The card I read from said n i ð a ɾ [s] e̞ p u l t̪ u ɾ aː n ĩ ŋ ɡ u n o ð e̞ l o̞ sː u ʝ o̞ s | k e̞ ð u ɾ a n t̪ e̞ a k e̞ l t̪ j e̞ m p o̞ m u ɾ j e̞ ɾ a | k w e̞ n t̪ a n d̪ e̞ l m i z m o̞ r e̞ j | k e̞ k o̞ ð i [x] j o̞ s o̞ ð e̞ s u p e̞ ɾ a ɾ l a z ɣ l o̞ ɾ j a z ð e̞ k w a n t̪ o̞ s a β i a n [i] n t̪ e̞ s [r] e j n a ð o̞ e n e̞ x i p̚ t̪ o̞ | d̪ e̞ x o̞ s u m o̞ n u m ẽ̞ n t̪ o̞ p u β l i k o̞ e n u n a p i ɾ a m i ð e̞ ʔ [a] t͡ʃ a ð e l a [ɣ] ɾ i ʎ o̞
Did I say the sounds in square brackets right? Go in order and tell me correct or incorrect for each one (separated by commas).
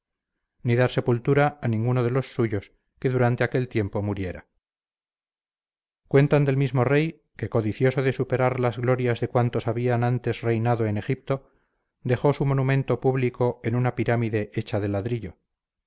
correct, incorrect, incorrect, correct, incorrect, incorrect